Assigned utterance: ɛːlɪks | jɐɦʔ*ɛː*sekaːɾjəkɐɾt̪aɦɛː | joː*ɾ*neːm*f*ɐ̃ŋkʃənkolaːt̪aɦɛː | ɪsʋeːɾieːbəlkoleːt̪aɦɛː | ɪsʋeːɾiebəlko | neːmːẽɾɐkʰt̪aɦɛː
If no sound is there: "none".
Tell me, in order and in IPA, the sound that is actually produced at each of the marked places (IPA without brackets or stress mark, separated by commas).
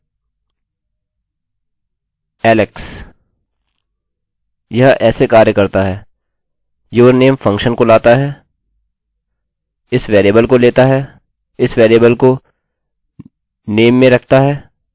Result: ɛː, ɾ, f